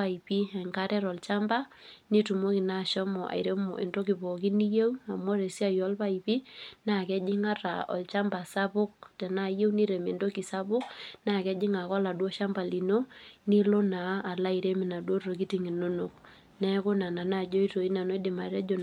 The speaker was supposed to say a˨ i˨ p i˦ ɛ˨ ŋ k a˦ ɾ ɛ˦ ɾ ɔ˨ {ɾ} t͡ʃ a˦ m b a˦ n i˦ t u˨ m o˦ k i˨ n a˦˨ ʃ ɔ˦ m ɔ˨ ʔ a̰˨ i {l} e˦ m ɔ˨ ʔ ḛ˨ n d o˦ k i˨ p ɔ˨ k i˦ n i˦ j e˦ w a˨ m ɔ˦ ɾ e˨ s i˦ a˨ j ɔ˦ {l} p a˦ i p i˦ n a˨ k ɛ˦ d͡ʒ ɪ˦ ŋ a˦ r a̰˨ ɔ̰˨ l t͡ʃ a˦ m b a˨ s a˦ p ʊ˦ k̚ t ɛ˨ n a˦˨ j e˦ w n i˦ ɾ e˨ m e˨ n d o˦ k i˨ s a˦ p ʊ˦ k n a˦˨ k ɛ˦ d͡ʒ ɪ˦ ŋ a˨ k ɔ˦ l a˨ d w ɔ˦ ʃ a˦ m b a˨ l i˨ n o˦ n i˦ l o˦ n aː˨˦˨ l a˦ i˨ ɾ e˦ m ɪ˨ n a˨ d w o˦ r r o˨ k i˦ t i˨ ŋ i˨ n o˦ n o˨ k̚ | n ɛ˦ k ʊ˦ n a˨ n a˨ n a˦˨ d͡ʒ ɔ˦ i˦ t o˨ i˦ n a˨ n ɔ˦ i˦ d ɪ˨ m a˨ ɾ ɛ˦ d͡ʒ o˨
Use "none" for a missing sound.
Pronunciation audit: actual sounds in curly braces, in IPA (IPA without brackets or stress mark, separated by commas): l, ɾ, l